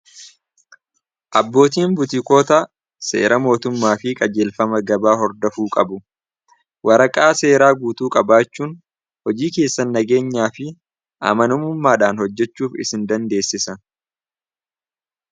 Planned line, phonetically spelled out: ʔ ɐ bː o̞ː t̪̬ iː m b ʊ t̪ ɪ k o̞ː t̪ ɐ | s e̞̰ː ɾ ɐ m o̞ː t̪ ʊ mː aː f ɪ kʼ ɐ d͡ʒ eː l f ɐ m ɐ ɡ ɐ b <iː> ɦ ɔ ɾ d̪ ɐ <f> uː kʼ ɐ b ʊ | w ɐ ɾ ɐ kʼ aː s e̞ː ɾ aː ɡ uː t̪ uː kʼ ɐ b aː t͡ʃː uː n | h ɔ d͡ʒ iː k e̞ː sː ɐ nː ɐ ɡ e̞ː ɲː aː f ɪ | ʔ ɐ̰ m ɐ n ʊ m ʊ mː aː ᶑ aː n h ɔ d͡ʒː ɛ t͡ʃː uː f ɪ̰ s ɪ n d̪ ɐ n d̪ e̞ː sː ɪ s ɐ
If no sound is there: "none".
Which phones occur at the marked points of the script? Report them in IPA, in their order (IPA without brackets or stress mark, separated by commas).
aː, f